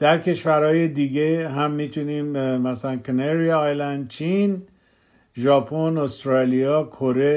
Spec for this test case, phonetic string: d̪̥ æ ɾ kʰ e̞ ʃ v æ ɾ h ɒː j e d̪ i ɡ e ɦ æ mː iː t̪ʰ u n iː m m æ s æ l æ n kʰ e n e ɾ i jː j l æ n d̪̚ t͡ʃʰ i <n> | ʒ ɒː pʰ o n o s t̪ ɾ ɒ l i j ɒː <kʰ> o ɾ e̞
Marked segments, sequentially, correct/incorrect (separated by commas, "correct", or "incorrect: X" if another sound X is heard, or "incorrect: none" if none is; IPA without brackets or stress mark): correct, correct